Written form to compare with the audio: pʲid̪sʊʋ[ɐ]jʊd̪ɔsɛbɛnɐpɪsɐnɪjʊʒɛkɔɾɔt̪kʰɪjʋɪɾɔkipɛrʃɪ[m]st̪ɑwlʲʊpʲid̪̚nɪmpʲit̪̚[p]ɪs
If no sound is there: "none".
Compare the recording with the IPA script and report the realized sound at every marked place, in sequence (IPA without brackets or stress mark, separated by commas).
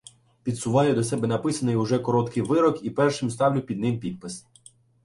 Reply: ɑ, m, p